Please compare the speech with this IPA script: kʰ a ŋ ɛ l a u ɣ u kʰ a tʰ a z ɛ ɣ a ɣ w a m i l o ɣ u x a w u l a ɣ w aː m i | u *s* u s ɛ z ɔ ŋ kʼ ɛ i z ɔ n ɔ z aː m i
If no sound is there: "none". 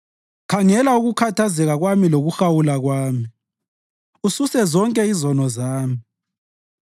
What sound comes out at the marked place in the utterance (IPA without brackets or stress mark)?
s